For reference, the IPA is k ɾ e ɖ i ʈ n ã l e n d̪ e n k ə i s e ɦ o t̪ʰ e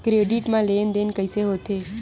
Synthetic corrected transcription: k ɾ e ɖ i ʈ m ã l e n d̪ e n k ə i s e ɦ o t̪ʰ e

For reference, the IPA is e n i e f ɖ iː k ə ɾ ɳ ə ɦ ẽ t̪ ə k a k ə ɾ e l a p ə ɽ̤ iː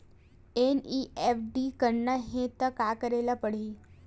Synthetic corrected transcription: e n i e f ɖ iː k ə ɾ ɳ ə ɦ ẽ t̪ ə k a k ə ɾ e l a p ə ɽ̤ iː

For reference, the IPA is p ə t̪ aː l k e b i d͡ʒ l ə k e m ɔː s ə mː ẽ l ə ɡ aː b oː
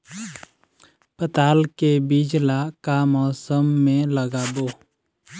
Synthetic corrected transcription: p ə t̪ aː l k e b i d͡ʒ l a k a m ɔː s ə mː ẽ l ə ɡ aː b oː

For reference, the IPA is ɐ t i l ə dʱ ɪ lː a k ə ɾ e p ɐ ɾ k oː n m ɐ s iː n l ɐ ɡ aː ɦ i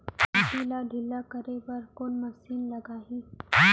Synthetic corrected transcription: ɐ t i l a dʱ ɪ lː a k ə ɾ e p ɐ ɾ k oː n m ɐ s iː n l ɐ ɡ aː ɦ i

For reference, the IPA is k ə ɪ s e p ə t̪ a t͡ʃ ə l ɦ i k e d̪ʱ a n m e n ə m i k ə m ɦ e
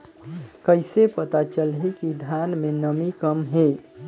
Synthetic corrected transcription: k ə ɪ s e p ə t̪ a t͡ʃ ə l ɦ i k i d̪ʱ a n m e n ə m i k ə m ɦ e

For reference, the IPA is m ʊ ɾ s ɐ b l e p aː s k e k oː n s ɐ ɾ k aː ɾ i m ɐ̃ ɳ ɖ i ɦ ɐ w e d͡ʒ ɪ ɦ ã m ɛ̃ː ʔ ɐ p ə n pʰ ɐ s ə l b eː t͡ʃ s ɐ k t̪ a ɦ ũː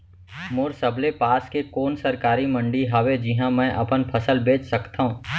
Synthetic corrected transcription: m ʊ ɾ s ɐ b l e p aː s k e k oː n s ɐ ɾ k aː ɾ i m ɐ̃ ɳ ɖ i ɦ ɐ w e d͡ʒ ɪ ɦ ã m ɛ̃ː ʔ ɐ p ə n pʰ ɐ s ə l b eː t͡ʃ s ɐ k t̪ a ɦ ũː

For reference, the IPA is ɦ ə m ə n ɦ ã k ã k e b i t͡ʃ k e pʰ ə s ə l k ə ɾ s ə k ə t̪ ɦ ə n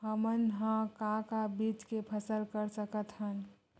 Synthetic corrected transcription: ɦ ə m ə n ɦ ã k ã k a b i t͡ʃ k e pʰ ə s ə l k ə ɾ s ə k ə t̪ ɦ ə n

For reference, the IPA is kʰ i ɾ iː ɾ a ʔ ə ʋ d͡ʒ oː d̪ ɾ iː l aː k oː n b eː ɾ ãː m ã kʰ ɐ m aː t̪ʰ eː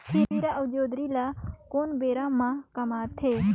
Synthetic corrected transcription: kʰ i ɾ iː ɾ a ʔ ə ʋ d͡ʒ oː d̪ ɾ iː l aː k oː n b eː ɾ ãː m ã k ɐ m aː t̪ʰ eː

